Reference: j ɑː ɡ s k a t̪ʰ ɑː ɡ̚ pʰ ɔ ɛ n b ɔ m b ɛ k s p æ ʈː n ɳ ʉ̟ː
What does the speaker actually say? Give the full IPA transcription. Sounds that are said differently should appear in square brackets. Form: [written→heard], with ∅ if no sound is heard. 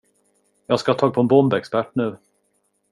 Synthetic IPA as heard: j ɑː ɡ s k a t̪ʰ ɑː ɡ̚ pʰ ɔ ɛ n b ɔ m b ɛ k s p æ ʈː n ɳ ʉ̟ː